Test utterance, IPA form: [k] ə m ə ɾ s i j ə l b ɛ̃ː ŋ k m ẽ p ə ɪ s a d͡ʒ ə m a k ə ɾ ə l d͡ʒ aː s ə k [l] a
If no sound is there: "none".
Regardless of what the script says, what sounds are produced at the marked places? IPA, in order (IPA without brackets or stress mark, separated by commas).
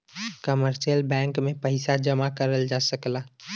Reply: k, l